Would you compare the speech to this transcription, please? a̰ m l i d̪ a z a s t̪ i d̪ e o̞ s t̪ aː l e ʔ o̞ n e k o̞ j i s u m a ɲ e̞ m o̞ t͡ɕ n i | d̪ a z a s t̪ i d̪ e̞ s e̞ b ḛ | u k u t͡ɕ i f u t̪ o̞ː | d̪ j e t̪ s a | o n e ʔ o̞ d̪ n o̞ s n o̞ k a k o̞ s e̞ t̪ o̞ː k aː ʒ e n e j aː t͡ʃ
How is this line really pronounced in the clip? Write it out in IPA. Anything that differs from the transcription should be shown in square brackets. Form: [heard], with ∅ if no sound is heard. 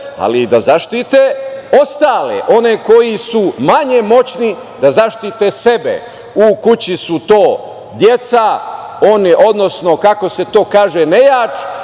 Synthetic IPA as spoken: a̰ [∅] l i d̪ a z a [ʃ] t̪ i [t̪] e o̞ s t̪ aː l e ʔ o̞ n e k o̞ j i s u m a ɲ e̞ m o̞ t͡ɕ n i | d̪ a z a [ʃ] t̪ i [t̪] e̞ s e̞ b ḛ | u k u t͡ɕ i [s] u t̪ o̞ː | d̪ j e t̪ s a | o n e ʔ o̞ d̪ n o̞ s n o̞ k a k o̞ s e̞ t̪ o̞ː k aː ʒ e n e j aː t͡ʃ

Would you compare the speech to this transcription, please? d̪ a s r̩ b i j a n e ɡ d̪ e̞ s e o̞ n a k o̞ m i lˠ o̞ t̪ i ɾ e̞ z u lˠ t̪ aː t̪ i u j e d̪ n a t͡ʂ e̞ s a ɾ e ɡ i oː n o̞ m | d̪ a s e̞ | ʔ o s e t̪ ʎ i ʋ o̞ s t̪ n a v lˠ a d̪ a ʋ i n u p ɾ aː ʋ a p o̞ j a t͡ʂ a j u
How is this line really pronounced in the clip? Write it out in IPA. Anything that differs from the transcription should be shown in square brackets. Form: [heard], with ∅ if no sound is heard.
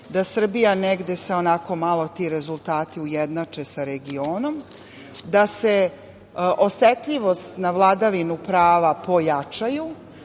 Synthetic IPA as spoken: d̪ a s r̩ b i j a n e ɡ d̪ e̞ s e o̞ n a k o̞ m [a] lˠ o̞ t̪ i ɾ e̞ z u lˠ t̪ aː t̪ i u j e d̪ n a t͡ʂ e̞ s a ɾ e ɡ i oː n o̞ m | d̪ a s e̞ | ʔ o s e t̪ ʎ i ʋ o̞ s t̪ n a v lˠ a d̪ a ʋ i n u p ɾ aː ʋ a p o̞ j a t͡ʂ a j u

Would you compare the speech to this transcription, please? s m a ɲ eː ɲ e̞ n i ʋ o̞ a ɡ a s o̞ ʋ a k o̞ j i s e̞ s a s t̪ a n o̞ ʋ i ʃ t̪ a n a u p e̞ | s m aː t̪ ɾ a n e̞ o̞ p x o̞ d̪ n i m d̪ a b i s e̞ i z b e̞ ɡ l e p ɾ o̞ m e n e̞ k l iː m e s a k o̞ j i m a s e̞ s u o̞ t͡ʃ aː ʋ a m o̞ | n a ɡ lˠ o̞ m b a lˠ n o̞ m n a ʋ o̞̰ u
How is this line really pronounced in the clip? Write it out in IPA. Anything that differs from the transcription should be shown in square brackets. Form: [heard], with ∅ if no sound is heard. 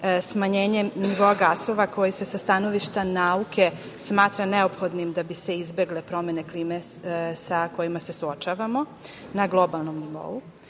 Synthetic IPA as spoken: s m a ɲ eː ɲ e̞ n i ʋ o̞ a ɡ a s o̞ ʋ a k o̞ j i s e̞ s a s t̪ a n o̞ ʋ i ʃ t̪ a n a u [k] e̞ | s m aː t̪ ɾ a n e̞ o̞ p x o̞ d̪ n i m d̪ a b i s e̞ i z b e̞ ɡ l e p ɾ o̞ m e n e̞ k l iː m e s a k o̞ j i m a s e̞ s u o̞ t͡ʃ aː ʋ a m o̞ | n a ɡ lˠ o̞ [∅] b a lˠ n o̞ m n [i] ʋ o̞̰ u

